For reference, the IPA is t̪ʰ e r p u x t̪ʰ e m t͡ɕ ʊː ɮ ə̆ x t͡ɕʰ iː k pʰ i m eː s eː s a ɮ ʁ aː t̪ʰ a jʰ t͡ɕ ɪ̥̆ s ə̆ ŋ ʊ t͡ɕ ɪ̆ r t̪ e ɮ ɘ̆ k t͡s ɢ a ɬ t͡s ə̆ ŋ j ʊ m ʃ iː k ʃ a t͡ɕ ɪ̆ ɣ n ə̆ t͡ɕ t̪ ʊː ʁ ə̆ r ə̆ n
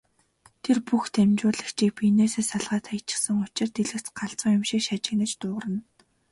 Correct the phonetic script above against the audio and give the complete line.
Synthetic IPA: t̪ʰ e r p u x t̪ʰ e m t͡ɕ ʊː ɮ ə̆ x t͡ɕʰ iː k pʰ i n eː s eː s a ɮ ʁ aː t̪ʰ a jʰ t͡ɕ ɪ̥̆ s ə̆ ŋ ʊ t͡ɕ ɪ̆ r t̪ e ɮ ɘ̆ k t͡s ɢ a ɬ t͡s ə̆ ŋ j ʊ m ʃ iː k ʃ a t͡ɕ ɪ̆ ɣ n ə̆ t͡ɕ t̪ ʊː ʁ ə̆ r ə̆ n